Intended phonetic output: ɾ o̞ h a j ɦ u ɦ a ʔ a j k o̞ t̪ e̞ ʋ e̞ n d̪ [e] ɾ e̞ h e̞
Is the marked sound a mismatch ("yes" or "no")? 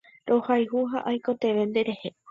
no